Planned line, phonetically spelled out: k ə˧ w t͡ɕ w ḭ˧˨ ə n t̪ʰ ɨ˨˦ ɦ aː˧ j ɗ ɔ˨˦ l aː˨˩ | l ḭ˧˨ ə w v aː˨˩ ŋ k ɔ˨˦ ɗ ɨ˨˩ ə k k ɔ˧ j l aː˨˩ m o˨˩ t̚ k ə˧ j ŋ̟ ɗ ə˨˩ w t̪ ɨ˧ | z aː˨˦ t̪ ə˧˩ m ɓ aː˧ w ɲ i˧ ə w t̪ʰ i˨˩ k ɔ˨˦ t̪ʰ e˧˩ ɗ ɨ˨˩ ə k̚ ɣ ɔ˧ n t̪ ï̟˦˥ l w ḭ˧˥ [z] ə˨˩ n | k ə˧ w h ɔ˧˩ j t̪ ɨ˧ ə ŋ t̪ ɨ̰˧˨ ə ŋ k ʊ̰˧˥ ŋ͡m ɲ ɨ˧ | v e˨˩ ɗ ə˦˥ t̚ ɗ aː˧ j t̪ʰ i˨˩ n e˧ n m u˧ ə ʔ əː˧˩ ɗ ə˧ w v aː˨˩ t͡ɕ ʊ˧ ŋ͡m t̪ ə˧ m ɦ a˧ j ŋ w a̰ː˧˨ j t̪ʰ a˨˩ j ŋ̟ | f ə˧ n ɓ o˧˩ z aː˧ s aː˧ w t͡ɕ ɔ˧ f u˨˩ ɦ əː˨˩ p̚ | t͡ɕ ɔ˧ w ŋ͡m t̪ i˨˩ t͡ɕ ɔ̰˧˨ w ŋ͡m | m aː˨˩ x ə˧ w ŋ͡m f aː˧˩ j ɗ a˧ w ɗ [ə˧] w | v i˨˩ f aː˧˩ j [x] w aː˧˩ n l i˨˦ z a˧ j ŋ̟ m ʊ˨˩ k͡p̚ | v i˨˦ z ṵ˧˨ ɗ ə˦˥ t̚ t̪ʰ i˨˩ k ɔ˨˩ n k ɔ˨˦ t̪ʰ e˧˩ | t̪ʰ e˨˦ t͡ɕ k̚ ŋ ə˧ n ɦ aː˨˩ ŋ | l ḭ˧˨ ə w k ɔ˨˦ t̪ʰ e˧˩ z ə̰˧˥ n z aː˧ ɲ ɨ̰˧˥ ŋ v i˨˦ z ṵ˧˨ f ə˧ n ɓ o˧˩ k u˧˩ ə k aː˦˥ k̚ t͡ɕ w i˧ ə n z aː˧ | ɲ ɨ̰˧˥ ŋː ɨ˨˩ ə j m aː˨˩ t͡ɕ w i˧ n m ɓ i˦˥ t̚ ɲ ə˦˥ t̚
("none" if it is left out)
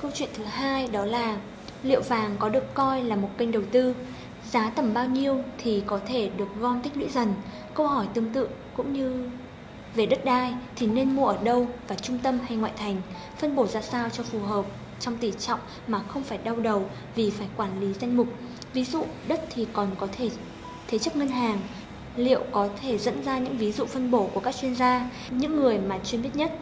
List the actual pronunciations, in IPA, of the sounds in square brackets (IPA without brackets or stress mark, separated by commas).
z, ə˨˩, k